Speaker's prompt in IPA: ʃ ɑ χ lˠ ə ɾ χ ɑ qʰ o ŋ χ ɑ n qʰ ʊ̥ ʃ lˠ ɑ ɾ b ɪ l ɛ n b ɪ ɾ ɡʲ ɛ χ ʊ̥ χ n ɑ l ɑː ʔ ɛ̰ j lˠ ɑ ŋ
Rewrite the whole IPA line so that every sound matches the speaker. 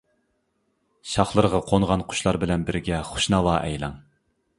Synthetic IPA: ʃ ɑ χ lˠ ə ɾ ʁ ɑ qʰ o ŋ ʁ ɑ n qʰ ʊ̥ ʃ lˠ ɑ ɾ b ɪ l ɛ n b ɪ ɾ ɡʲ ɛ χ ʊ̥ ʃ n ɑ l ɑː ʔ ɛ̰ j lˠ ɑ ŋ